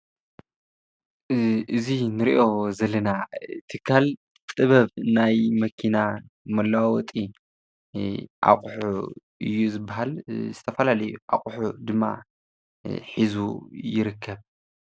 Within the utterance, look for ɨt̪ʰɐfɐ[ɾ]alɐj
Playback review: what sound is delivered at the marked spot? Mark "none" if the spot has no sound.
l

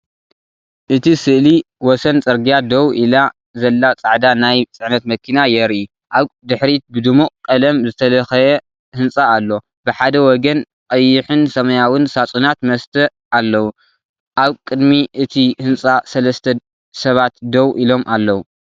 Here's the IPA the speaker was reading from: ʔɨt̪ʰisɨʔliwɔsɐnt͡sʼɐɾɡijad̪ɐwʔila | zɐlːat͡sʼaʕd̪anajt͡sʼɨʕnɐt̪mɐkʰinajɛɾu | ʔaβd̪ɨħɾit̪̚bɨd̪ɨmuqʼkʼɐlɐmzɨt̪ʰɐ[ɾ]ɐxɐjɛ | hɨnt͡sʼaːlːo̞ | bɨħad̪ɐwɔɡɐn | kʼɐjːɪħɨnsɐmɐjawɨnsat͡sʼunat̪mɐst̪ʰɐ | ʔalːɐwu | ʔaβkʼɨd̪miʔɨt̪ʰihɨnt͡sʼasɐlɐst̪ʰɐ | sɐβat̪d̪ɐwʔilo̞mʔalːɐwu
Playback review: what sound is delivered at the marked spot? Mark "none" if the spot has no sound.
l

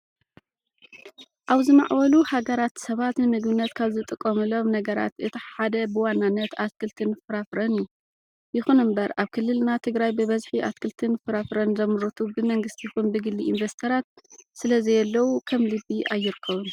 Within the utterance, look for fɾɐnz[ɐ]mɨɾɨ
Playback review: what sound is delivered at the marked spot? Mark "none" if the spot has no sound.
ɐ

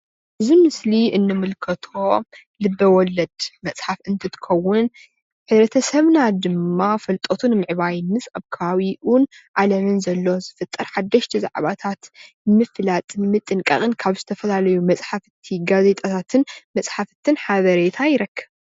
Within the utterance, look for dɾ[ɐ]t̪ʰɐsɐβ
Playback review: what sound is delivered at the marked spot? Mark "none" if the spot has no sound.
ɐ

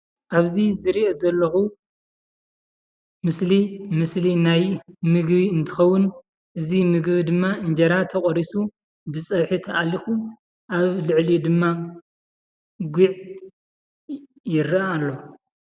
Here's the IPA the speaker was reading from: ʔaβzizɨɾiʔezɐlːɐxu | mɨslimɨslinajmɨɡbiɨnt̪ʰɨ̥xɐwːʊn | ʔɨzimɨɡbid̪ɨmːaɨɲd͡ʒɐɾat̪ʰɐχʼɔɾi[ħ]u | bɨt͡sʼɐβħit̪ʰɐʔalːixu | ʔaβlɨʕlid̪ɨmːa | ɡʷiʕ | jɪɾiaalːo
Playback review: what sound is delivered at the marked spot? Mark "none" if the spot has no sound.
s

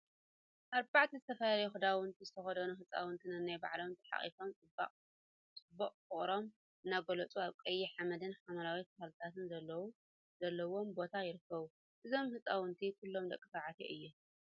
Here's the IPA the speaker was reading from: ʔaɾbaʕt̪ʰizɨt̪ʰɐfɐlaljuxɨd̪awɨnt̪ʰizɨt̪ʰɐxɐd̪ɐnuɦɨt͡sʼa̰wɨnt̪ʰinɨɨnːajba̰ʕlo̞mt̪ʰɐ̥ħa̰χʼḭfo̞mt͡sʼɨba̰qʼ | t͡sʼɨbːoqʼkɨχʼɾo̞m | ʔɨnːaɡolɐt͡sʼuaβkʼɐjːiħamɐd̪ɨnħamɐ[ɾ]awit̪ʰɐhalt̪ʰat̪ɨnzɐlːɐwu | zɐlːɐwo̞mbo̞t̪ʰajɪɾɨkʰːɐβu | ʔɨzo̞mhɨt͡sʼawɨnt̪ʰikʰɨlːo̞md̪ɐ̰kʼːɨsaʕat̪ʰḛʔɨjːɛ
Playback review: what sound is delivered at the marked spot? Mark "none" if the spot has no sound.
ɾ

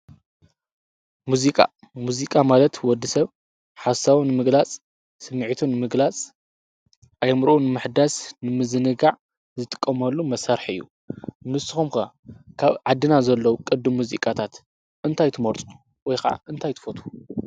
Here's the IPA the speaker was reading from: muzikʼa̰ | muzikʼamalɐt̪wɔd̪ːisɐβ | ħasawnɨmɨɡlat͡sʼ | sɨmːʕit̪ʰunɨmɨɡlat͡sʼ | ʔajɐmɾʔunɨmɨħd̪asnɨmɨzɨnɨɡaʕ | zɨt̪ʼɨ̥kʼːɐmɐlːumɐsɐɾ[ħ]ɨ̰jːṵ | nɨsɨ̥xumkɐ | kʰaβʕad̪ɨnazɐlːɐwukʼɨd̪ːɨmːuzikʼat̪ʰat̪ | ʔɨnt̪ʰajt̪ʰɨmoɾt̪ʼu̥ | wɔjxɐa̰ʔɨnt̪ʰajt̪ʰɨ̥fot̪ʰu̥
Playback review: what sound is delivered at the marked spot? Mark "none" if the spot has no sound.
ħ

